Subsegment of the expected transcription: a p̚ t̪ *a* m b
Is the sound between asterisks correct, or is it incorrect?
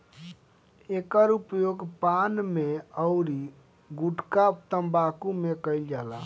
incorrect